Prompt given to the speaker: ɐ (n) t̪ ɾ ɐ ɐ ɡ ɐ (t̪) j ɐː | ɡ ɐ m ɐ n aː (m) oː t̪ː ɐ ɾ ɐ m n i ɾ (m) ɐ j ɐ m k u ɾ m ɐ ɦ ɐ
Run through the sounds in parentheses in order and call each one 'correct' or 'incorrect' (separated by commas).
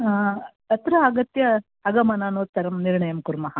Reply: incorrect, correct, incorrect, incorrect